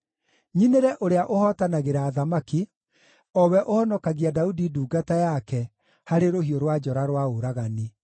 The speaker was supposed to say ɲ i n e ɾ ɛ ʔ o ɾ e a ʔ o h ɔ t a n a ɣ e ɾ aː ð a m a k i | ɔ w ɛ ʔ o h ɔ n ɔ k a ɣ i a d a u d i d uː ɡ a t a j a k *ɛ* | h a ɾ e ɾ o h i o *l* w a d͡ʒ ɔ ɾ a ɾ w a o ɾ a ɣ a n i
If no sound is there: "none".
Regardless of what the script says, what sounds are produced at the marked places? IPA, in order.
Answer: ɛ, ɾ

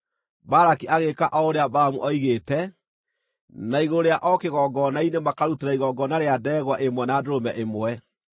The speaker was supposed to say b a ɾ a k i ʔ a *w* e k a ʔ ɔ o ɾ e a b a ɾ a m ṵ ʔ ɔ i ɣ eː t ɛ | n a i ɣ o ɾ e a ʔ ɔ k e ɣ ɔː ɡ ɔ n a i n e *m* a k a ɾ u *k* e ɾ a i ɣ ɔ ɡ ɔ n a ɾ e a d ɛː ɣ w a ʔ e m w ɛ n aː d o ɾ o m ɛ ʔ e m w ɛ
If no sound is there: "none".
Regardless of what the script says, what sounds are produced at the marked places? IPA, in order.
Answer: ɣ, m, t

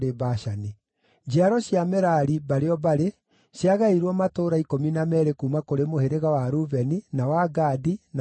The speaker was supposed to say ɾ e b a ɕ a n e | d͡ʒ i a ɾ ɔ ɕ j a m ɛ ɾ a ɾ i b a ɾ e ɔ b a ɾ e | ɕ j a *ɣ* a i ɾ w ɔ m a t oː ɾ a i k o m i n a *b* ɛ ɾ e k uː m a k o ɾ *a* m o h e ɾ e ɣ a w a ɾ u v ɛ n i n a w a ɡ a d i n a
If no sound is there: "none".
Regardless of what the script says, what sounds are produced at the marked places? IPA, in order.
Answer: ɣ, m, e

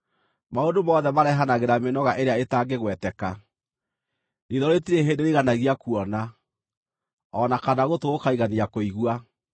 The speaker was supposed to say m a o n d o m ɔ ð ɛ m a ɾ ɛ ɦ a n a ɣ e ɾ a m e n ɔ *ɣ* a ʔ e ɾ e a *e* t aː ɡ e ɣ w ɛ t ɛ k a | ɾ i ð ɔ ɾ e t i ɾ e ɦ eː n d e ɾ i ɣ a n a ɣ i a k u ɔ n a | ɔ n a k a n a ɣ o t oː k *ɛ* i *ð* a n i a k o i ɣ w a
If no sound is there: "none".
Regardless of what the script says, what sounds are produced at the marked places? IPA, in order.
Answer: ɣ, e, a, ɣ

